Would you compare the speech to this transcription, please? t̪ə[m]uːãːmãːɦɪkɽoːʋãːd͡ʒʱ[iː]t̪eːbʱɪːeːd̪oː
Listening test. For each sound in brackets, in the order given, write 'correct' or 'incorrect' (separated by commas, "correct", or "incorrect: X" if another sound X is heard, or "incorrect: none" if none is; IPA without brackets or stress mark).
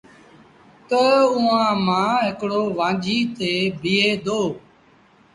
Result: incorrect: none, correct